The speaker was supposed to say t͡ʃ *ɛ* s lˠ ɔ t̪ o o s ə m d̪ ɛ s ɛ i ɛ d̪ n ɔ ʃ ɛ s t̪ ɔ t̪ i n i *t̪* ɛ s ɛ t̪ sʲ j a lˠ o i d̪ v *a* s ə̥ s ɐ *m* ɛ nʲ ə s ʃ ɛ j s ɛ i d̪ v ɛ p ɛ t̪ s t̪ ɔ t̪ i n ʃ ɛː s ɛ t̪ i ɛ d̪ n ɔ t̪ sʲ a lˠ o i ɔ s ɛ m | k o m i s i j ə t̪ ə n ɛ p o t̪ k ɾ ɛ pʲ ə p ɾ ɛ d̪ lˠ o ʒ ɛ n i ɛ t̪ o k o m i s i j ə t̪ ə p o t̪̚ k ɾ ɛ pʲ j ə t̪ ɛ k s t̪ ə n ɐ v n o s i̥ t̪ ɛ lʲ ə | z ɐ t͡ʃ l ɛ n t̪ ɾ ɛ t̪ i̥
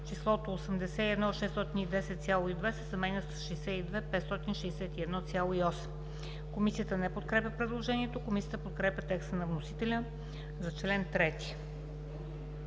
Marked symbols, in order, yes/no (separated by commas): no, no, no, yes